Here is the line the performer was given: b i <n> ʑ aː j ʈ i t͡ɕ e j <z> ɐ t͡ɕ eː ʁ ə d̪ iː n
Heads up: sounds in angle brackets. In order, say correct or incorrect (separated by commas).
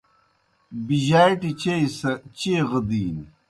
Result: incorrect, incorrect